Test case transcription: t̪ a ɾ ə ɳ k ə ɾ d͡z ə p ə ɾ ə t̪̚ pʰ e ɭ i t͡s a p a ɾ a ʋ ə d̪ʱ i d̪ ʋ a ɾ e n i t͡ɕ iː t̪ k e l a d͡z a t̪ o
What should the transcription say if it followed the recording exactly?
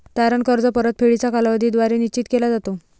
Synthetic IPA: t̪ a ɾ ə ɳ k ə ɾ d͡z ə p ə ɾ ə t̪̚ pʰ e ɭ i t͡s a k a l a ʋ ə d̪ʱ i d̪ ʋ a ɾ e n i t͡ɕ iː t̪ k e l a d͡z a t̪ o